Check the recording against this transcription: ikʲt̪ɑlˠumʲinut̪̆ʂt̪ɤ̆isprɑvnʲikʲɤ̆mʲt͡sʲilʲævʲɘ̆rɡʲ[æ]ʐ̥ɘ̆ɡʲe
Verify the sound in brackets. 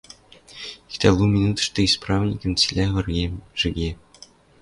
incorrect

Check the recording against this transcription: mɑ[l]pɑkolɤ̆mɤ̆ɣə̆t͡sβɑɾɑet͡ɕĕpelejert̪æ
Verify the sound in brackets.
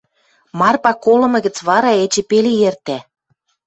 incorrect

